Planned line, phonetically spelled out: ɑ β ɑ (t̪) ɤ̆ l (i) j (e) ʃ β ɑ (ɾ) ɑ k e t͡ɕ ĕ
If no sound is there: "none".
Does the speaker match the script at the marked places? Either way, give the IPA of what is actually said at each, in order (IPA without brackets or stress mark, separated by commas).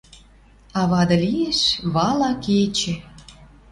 d̪, i, e, l